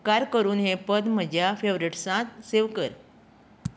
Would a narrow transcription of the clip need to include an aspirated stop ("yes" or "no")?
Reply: no